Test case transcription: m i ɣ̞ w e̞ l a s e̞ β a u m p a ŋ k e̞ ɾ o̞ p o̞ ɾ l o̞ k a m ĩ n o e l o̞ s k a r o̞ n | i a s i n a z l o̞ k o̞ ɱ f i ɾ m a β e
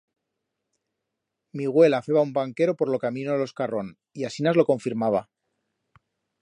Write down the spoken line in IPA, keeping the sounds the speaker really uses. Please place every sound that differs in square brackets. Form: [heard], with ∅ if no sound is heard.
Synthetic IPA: m i ɣ̞ w e̞ l a [f] e̞ β a u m [b] a ŋ k e̞ ɾ o̞ p o̞ ɾ l o̞ k a m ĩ n o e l o̞ s k a r o̞ n | i a s i n a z l o̞ k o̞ ɱ f i ɾ m a β [a]